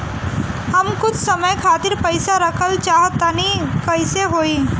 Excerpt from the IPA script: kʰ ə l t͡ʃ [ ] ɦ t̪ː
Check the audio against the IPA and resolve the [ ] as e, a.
a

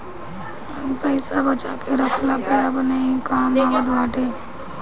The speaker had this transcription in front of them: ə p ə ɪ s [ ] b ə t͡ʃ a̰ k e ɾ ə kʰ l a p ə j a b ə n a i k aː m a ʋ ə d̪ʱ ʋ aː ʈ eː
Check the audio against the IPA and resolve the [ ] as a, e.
a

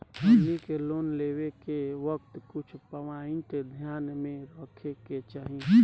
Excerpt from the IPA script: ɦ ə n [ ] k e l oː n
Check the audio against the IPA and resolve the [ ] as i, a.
i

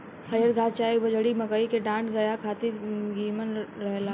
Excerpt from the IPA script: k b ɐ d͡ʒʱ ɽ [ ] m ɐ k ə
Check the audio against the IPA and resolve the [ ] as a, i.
i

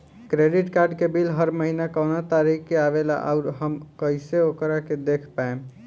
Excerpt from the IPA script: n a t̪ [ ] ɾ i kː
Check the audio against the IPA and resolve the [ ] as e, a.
a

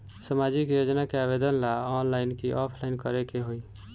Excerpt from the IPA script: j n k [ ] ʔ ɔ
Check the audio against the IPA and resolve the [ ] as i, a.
i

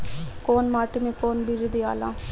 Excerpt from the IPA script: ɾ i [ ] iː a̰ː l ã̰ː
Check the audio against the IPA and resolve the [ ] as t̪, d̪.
d̪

